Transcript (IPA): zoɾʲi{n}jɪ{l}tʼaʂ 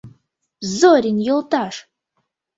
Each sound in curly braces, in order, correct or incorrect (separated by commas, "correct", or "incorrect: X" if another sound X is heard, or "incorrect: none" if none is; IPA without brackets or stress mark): correct, correct